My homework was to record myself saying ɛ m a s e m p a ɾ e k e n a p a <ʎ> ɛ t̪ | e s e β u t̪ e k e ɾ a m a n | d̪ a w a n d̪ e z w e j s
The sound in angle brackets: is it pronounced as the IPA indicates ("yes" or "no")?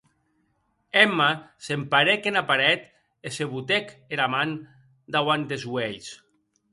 no